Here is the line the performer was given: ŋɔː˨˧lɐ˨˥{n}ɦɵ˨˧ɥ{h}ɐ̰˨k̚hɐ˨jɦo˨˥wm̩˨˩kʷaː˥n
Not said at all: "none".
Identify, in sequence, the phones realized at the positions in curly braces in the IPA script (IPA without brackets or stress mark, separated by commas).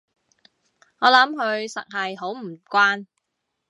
m, s